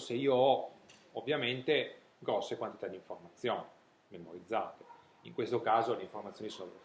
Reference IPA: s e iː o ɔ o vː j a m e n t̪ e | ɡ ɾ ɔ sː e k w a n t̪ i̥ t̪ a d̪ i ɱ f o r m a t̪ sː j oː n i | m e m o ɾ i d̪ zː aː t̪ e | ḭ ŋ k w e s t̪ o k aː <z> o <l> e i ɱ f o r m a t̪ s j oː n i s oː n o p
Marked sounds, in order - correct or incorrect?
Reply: correct, correct

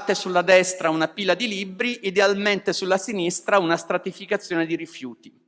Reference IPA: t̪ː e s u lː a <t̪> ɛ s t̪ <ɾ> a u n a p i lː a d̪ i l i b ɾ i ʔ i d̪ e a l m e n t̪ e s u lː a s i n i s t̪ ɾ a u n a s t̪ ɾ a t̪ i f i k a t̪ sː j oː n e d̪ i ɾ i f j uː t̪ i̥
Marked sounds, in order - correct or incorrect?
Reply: incorrect: d̪, correct

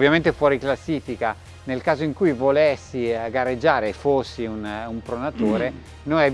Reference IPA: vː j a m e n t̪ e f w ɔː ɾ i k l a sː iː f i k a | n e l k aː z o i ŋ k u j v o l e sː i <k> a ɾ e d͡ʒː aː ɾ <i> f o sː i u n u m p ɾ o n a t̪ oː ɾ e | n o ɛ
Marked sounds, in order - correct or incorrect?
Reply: incorrect: ɡ, incorrect: e

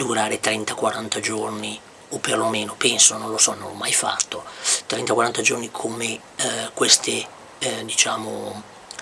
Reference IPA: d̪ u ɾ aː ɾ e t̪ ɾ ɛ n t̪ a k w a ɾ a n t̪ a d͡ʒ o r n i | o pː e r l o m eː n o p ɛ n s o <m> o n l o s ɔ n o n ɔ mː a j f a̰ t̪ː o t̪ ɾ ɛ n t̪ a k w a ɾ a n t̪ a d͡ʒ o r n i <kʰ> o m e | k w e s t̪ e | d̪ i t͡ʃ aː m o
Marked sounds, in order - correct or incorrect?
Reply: incorrect: n, correct

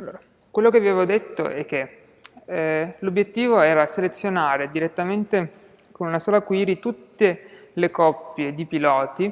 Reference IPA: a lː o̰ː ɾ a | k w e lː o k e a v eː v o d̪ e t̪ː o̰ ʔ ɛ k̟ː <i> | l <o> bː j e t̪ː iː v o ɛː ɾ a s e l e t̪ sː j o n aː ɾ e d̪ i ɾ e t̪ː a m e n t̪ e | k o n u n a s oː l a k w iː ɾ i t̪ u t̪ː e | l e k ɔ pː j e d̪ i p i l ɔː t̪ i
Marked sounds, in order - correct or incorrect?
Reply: incorrect: e, correct

